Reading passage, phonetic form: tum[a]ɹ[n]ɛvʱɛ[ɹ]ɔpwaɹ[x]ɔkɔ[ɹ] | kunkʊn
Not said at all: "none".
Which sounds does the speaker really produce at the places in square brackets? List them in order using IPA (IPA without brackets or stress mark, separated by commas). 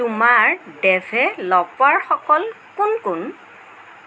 a, d, l, x, l